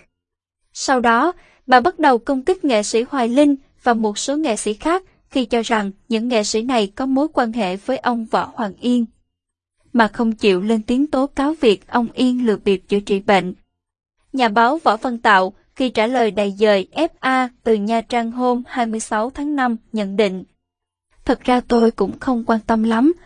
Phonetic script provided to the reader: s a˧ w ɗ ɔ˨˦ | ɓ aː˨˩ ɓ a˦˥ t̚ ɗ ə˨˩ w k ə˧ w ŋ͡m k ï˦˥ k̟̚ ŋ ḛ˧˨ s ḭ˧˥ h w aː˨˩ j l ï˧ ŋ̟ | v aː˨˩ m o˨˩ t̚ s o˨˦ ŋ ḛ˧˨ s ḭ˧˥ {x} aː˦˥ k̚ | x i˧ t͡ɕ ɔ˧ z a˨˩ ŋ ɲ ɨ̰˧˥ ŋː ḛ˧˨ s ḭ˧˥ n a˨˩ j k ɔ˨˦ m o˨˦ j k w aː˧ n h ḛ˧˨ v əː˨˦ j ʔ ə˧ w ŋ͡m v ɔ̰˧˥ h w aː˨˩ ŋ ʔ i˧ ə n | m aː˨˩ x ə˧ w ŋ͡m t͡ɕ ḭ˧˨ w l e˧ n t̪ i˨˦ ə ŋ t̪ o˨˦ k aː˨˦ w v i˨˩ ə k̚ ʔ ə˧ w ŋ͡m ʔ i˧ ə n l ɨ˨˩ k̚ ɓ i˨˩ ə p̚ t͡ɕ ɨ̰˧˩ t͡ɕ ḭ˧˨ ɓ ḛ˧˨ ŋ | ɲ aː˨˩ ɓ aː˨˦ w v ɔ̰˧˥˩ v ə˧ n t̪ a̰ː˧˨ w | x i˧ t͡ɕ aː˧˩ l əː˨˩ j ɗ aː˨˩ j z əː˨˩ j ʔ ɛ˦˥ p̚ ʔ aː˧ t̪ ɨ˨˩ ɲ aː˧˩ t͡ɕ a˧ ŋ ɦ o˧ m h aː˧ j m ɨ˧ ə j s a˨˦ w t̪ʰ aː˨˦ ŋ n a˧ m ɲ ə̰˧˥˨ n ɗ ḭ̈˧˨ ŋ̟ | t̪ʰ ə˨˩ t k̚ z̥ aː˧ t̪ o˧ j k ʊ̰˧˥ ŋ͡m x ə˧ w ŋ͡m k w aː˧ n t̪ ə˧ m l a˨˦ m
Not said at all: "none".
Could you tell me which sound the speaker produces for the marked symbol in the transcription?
x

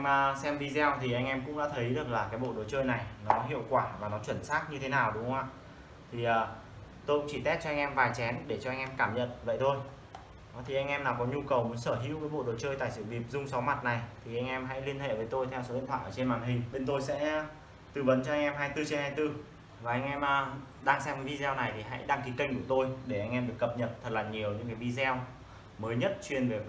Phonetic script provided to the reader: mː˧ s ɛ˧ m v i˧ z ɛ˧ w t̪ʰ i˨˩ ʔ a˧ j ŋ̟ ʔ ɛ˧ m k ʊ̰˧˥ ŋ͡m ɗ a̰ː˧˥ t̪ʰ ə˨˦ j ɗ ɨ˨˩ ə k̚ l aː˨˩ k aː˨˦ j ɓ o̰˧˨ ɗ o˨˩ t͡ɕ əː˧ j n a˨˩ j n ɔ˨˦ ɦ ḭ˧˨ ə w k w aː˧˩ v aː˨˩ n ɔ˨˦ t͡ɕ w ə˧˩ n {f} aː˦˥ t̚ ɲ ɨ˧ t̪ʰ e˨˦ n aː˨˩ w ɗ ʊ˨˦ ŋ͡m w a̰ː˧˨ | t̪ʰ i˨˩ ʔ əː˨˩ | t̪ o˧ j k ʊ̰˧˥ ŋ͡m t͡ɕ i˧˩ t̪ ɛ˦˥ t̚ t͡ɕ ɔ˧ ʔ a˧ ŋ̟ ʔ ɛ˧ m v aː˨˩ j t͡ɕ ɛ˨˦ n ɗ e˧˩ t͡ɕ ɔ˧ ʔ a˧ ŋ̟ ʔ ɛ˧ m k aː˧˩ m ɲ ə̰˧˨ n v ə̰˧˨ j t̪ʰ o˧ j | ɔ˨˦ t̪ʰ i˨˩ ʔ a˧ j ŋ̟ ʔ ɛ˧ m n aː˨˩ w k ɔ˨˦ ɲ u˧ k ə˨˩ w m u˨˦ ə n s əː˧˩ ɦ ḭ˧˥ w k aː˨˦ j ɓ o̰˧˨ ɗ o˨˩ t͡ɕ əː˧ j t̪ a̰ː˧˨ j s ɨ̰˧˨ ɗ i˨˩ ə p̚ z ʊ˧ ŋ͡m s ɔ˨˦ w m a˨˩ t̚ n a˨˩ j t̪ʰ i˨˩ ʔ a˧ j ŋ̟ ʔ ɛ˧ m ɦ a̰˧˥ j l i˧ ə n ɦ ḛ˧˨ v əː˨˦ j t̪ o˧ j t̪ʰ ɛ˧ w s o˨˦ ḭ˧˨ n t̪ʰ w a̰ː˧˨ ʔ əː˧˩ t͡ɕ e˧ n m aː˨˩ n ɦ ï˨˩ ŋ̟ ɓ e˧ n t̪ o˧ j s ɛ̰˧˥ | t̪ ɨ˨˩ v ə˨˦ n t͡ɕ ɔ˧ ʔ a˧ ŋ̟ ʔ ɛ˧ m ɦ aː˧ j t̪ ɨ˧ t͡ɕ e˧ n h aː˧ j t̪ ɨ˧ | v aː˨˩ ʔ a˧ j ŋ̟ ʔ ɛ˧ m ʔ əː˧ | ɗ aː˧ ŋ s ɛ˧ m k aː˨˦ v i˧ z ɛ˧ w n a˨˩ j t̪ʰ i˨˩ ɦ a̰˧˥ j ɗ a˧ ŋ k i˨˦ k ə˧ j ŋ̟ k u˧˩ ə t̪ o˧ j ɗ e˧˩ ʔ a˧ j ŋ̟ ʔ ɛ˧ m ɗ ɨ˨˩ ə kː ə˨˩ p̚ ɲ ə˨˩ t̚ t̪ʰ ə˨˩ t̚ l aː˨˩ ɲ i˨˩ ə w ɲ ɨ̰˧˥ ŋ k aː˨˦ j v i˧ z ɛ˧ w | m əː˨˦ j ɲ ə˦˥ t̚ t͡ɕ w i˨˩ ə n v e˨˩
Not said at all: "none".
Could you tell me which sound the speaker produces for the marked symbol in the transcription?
s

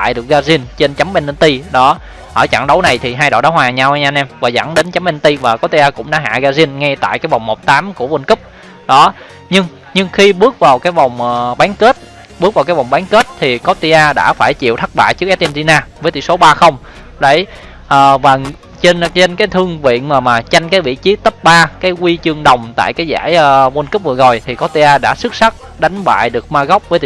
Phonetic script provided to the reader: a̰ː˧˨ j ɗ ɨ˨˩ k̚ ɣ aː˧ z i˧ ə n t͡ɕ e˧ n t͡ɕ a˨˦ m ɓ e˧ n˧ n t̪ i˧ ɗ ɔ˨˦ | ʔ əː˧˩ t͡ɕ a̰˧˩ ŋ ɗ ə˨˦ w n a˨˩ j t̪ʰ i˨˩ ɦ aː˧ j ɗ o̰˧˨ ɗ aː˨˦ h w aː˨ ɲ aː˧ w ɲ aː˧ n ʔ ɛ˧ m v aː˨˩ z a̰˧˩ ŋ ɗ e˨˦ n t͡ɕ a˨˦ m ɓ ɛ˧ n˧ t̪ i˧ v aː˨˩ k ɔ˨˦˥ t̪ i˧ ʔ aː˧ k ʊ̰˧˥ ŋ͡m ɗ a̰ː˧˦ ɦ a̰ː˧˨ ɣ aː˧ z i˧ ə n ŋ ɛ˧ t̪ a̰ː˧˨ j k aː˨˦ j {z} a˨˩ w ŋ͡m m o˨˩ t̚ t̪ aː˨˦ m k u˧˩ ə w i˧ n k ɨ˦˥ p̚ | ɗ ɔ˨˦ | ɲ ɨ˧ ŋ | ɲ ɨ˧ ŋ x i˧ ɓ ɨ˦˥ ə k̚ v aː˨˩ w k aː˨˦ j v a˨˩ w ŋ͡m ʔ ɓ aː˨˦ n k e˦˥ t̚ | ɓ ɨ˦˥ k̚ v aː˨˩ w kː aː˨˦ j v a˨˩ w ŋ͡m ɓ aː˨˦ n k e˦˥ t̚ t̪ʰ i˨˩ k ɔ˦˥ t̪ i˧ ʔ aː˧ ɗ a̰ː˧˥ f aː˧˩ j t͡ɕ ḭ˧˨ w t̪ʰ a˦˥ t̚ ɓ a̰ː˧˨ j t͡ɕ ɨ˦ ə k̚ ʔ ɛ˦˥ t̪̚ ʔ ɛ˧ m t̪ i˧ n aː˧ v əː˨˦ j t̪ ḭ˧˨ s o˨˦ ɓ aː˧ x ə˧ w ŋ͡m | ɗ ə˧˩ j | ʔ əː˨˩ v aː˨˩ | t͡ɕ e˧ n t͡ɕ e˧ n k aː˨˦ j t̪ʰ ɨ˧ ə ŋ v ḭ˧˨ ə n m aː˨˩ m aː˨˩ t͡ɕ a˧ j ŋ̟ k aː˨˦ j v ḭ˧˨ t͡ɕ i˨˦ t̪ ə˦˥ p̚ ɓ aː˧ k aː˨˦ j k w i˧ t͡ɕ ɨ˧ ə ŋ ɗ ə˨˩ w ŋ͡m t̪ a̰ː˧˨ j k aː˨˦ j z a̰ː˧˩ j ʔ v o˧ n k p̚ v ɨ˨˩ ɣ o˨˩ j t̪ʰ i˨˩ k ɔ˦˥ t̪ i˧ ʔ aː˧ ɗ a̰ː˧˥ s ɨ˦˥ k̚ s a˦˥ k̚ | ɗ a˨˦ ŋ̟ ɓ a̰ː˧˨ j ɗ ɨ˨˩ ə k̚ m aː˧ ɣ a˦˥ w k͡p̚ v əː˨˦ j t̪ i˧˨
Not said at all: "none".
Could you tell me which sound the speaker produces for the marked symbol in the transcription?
v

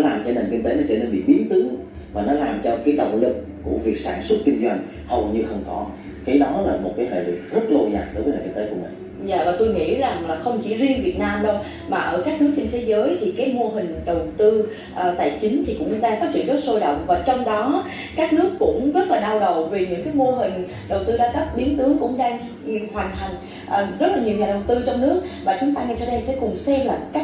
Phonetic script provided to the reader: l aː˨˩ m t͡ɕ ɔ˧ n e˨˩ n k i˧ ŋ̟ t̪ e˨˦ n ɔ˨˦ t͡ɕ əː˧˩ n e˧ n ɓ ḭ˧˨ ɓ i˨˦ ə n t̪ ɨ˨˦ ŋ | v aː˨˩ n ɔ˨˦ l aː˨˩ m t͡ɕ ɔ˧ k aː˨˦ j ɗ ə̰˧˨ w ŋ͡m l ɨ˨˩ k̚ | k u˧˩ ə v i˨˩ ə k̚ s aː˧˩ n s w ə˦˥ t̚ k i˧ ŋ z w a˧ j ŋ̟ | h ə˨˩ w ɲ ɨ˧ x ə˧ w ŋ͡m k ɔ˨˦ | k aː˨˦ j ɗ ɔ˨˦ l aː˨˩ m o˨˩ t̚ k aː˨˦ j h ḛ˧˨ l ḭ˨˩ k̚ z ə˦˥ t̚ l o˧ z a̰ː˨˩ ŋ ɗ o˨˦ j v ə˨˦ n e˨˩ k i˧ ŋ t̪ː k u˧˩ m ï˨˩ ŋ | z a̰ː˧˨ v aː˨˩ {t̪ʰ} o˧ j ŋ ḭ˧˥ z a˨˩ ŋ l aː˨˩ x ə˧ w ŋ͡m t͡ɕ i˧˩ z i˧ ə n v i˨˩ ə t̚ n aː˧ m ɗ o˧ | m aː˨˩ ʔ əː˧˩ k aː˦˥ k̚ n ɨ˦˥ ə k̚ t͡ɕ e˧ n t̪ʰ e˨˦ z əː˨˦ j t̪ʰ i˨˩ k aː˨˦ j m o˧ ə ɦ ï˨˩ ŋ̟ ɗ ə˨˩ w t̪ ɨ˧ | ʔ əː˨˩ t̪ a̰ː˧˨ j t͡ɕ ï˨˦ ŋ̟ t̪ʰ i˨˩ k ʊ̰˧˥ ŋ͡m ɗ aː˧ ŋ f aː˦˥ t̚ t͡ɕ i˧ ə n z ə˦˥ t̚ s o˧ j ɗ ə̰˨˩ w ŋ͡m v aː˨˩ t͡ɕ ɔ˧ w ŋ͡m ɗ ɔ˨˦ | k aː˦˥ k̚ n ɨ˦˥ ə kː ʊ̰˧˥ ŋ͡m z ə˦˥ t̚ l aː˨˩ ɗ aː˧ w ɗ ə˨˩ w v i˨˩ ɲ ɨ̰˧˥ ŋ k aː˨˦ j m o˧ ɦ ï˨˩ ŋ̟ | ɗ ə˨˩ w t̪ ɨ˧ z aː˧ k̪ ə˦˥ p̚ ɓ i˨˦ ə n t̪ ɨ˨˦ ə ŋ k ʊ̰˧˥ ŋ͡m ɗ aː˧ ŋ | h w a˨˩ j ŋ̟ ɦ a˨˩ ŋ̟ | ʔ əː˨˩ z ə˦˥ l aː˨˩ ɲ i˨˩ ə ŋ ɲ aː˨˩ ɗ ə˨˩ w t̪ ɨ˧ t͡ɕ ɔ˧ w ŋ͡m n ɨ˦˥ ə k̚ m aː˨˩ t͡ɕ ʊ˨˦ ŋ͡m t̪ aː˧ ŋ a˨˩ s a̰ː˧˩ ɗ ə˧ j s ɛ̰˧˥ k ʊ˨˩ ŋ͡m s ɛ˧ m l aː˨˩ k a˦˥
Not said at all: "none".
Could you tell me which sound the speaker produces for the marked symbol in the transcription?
t̪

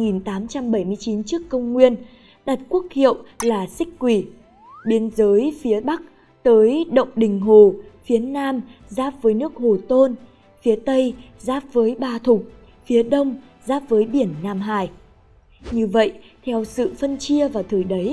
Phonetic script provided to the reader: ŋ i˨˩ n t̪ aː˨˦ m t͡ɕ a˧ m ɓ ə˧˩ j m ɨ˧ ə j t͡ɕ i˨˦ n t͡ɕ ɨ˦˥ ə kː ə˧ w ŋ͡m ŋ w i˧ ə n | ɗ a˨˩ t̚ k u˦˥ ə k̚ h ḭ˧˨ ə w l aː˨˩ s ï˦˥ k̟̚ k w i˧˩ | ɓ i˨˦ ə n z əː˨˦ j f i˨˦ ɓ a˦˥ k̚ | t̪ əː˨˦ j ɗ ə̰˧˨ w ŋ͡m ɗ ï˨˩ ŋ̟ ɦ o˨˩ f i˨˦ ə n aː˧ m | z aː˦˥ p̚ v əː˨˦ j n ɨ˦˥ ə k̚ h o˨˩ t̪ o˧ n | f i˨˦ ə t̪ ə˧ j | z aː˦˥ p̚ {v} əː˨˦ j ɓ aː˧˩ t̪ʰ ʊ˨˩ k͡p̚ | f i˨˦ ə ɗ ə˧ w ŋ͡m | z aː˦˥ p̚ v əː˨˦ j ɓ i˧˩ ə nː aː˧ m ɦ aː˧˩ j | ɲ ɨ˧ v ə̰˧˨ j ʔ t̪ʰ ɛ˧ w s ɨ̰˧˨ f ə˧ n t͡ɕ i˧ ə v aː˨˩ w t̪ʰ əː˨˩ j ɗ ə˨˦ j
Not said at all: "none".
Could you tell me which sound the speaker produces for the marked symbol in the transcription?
v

